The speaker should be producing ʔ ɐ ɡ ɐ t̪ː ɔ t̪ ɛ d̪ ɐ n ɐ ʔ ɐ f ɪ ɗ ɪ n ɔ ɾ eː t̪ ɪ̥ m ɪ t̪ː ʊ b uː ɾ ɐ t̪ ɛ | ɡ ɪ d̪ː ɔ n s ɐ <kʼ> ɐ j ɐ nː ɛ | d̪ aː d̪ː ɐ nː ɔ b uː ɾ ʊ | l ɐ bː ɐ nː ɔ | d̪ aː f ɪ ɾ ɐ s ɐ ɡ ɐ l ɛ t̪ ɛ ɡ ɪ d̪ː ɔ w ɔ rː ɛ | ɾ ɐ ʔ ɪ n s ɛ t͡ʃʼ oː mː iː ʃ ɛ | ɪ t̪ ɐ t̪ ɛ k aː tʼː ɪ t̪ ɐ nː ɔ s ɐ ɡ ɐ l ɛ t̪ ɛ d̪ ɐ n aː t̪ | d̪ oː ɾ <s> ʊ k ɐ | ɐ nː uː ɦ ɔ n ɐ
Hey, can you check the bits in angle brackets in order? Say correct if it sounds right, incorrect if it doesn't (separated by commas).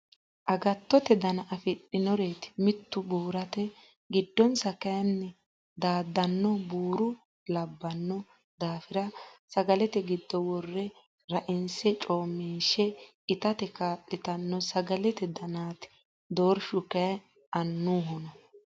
incorrect, incorrect